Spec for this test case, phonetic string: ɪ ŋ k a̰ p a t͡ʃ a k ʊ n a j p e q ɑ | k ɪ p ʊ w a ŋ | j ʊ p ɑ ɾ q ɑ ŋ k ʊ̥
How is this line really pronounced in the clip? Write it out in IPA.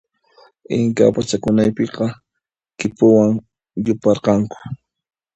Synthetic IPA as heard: ɪ ŋ k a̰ p a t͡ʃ a k ʊ n a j p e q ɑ | k ɪ p ʊ w a ŋ | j ʊ p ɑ ɾ q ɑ ŋ k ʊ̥